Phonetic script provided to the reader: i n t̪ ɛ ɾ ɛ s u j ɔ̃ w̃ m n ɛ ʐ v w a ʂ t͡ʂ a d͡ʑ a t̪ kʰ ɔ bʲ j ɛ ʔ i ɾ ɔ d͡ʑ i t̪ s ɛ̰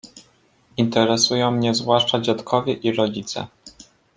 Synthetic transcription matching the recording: i n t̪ ɛ ɾ ɛ s u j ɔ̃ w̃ m ɲ ɛ z v w a ʂ t͡ʂ a d͡ʑ a t̪ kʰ ɔ vʲ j ɛ ʔ i ɾ ɔ d͡ʑ i t̪ s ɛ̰